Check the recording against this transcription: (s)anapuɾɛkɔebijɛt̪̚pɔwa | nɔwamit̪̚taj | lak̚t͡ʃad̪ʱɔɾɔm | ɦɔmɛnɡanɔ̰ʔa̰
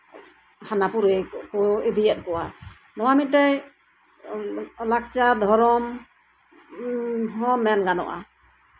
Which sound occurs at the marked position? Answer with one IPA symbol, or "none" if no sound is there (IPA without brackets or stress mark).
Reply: h